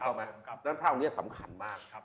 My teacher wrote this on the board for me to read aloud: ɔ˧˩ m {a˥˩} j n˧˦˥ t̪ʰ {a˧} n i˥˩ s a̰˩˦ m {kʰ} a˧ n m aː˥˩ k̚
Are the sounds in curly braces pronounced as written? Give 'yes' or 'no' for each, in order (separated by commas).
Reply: no, no, yes